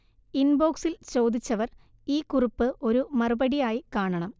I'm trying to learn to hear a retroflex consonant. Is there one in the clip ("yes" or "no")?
yes